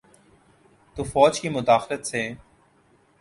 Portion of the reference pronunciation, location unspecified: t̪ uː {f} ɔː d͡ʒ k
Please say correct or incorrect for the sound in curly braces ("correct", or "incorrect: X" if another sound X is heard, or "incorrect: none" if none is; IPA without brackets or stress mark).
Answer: correct